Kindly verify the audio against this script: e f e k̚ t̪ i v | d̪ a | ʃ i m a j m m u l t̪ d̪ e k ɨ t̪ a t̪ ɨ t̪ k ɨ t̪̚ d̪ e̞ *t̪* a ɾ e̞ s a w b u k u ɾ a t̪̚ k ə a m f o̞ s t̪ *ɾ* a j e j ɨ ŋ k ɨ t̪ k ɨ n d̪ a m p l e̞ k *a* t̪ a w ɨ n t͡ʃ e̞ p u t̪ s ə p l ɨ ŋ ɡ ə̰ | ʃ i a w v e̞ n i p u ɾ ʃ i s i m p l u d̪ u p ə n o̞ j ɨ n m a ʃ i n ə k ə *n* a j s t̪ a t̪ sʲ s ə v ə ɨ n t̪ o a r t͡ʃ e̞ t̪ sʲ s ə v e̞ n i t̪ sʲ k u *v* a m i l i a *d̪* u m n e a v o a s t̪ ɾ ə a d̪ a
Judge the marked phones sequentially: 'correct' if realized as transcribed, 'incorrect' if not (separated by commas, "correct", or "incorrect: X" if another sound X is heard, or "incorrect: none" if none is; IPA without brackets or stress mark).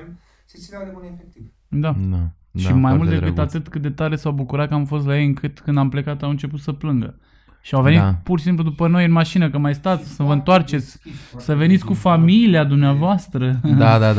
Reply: correct, incorrect: l, correct, incorrect: m, incorrect: f, correct